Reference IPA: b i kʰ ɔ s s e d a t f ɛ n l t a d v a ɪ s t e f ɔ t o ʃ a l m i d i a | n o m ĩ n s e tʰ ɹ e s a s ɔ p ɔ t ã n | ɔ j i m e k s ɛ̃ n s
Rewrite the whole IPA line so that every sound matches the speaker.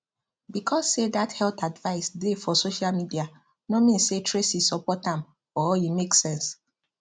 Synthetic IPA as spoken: b i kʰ ɔ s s e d a t h ɛ l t a d v a ɪ s d e f ɔ s o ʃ a l m i d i a | n o m ĩ n s e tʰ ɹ e s i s ɔ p ɔ t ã m | ɔ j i m e k s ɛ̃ n s